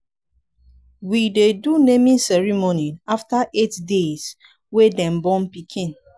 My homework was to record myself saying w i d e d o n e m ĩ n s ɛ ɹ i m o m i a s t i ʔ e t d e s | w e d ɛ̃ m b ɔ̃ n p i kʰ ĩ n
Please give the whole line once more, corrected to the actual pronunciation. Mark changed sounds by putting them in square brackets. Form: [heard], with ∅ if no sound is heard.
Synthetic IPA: w i d e d [u] n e m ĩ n s ɛ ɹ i m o [n] i a [f] t [a] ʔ e t d e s | w e d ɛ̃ m b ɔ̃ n p i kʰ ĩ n

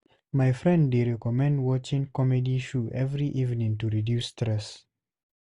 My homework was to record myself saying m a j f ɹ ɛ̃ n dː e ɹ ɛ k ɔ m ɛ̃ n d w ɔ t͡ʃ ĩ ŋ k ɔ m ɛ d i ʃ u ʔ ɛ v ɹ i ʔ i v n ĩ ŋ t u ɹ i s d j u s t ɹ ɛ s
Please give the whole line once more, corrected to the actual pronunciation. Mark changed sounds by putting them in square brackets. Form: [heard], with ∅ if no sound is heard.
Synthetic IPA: m a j f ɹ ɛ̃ n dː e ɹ ɛ k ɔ m ɛ̃ n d w ɔ t͡ʃ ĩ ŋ k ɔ m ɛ d i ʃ u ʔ ɛ v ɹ i ʔ i v n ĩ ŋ t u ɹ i [∅] d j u s t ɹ ɛ s

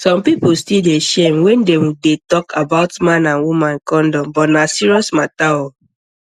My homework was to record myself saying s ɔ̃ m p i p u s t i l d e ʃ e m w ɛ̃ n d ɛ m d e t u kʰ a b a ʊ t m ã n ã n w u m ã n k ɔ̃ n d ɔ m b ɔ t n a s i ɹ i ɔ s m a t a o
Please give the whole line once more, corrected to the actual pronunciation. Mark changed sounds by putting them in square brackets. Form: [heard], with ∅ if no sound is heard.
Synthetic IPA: s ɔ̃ m p i p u s t i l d e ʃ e m w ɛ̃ n d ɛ m d e t [ɔ] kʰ a b a ʊ t m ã n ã n w u m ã n k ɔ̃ n d ɔ m b ɔ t n a s i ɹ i ɔ s m a t a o

